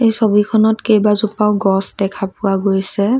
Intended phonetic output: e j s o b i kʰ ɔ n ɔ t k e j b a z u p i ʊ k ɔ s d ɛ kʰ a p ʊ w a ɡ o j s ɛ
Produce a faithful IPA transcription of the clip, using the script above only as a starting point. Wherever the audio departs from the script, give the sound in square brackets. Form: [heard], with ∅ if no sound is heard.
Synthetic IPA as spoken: e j s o b i kʰ ɔ n ɔ t k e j b a z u p [a] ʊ [ɡ] ɔ s d ɛ kʰ a p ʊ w a ɡ o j s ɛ